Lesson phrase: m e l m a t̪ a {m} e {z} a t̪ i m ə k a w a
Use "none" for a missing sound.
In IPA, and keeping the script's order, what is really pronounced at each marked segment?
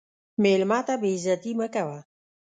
b, z

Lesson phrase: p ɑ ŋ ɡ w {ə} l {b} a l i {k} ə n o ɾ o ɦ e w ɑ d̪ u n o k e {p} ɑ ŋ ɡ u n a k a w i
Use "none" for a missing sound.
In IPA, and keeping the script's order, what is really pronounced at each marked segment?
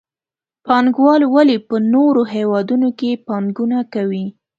ɑ, w, p, p

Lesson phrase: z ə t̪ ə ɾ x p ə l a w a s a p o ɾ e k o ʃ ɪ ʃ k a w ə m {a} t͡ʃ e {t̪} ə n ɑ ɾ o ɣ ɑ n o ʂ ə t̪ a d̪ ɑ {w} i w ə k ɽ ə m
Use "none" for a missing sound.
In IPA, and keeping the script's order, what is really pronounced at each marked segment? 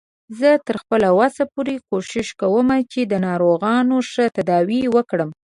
a, d̪, w

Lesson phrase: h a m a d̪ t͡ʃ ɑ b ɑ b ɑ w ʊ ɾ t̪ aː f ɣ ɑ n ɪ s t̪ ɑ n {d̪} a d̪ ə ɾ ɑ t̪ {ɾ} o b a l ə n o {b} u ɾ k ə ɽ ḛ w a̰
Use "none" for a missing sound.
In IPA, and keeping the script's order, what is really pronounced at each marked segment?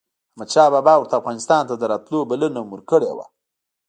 t̪, l, m

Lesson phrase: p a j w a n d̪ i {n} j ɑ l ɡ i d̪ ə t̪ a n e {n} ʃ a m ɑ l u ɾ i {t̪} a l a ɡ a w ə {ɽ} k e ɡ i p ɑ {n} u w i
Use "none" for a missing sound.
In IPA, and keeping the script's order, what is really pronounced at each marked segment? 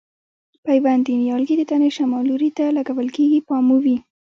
n, none, t̪, l, m

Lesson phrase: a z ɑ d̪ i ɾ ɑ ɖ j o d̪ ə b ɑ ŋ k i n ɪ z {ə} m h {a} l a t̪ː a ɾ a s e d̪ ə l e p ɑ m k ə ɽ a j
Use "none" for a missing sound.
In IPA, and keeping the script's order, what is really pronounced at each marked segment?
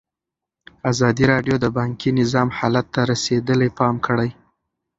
ɑ, ɑ

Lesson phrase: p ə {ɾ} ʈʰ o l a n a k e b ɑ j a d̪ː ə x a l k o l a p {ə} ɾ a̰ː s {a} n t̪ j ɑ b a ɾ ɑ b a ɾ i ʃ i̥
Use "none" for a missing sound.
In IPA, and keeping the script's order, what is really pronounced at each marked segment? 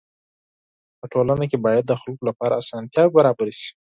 none, ɑ, ɑ

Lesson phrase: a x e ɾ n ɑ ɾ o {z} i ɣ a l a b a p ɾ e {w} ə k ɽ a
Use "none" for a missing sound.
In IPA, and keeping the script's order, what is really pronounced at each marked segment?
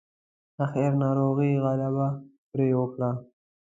ɣ, w

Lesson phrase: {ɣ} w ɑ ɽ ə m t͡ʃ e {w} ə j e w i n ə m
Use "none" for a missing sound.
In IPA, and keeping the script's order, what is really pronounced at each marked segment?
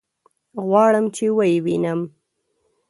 ɣ, w

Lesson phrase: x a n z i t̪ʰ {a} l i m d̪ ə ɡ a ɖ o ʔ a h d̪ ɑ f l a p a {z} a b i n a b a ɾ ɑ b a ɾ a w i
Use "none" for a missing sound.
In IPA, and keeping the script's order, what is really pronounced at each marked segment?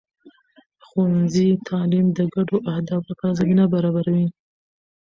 ɑ, z

